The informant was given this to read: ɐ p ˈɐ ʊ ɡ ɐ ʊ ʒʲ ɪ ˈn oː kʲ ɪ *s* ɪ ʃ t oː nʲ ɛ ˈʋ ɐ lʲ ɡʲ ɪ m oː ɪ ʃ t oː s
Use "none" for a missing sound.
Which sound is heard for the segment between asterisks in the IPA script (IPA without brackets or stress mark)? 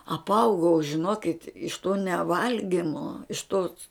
t